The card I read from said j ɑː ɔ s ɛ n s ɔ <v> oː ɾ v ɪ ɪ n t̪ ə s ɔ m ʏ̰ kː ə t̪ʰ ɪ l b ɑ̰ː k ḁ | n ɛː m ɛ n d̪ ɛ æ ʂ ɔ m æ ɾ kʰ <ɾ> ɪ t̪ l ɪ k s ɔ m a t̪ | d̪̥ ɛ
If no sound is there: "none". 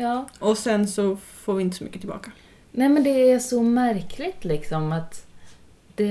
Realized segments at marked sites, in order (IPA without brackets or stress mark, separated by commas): f, l